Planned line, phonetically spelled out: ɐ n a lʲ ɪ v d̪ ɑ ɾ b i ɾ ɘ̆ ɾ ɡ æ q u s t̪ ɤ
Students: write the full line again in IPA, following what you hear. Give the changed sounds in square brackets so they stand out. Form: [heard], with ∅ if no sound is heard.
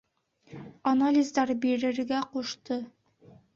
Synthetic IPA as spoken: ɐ n a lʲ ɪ [z] d̪ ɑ ɾ b i ɾ ɘ̆ ɾ ɡ æ q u [ʃ] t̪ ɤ